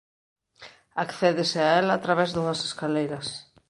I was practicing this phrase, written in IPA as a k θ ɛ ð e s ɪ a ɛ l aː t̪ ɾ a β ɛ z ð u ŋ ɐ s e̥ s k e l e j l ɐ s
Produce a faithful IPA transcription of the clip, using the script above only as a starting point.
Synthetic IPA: a k θ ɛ ð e s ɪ a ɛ l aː t̪ ɾ a β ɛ z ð u ŋ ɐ s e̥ s k a l e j ɾ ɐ s